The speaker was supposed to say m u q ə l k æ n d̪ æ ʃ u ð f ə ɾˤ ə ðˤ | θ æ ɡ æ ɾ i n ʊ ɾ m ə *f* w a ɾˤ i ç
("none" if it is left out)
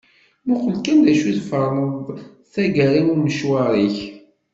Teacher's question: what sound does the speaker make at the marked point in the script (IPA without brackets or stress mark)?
ʃ